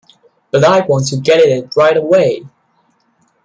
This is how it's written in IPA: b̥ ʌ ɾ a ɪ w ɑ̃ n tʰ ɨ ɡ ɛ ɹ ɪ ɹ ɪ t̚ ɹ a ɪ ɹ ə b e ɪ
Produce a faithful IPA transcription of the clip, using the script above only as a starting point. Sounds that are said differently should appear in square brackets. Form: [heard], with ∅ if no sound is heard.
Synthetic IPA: b̥ ʌ ɾ a ɪ w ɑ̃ n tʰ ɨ ɡ ɛ [ɾ] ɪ [ɾ] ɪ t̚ ɹ a ɪ [ɾ] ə [w] e ɪ